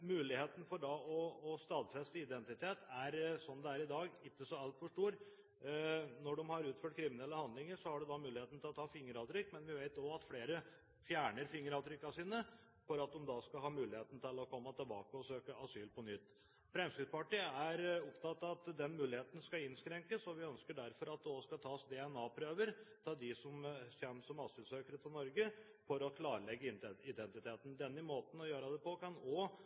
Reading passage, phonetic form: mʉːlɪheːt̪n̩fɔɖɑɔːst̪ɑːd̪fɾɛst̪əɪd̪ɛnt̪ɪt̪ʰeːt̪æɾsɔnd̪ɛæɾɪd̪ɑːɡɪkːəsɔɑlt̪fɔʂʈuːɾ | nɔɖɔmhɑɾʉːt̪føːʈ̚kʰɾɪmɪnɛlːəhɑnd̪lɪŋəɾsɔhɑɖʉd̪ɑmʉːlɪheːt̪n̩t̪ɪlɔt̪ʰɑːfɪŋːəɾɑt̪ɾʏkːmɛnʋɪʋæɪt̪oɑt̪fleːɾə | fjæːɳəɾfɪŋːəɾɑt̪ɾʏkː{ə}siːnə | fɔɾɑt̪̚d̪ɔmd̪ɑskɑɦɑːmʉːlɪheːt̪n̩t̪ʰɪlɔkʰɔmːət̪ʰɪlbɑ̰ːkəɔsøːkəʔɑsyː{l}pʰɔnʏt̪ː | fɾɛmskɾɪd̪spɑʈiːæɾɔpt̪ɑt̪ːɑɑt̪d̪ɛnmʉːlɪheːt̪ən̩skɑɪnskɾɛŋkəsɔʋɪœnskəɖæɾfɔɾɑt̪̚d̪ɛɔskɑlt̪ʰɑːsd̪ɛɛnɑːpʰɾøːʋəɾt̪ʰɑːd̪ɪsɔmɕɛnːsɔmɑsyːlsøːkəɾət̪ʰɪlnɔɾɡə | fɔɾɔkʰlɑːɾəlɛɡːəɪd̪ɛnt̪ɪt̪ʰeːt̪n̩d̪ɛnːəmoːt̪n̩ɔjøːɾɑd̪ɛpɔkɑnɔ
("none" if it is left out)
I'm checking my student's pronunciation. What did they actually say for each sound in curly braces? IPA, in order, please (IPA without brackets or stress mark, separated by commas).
ɑ, l